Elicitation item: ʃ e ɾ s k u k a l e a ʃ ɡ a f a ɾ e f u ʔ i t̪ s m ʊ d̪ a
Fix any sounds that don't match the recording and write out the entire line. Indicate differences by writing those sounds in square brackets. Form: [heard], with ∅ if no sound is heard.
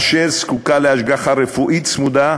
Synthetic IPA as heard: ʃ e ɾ s k u k a l e a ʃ ɡ a [χ] a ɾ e f u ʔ i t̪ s m [u] d̪ a

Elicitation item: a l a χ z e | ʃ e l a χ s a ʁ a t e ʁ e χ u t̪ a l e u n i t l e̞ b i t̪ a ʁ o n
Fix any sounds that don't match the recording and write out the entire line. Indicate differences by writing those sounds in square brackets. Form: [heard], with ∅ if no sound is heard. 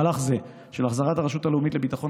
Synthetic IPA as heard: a l a χ z e | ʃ e l a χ [z] a ʁ a t [a] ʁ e [ʃ] u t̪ a l e u [m] i t l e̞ b i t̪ a [χ] o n

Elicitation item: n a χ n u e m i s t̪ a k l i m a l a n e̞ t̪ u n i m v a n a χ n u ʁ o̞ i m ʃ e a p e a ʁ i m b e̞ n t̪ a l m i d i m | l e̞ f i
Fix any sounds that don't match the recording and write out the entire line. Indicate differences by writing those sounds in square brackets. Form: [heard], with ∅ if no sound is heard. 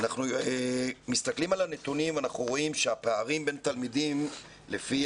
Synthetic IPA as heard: n a χ n u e m i s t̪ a k l i m a l a n e̞ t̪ u n i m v a n a χ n u ʁ o̞ i m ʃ e a p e a ʁ i m b e̞ n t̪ a l m i d i m | l e̞ f i

